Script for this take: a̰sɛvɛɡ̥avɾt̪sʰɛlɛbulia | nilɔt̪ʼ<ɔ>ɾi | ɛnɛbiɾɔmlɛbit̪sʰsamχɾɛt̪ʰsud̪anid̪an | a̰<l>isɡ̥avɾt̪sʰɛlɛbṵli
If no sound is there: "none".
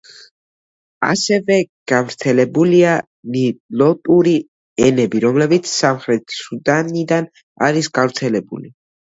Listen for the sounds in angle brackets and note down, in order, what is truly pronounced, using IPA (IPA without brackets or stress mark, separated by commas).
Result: u, ɾ